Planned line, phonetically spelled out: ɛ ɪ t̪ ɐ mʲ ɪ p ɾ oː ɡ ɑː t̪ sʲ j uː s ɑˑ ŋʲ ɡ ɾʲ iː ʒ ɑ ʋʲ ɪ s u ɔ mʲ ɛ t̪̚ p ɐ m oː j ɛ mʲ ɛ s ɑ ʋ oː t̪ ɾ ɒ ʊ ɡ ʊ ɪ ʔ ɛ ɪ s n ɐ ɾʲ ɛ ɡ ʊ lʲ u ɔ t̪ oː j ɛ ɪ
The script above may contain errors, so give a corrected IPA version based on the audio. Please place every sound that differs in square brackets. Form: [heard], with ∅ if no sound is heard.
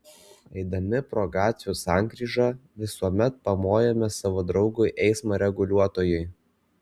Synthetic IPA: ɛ ɪ [d̪] ɐ mʲ ɪ p ɾ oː ɡ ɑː t̪ sʲ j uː s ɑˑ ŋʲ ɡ ɾʲ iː ʒ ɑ ʋʲ ɪ s u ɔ mʲ ɛ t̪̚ p ɐ m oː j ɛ mʲ ɛ s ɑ ʋ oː [d̪] ɾ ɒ ʊ ɡ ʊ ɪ ʔ ɛ ɪ s [m] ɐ ɾʲ ɛ ɡ ʊ lʲ u ɔ t̪ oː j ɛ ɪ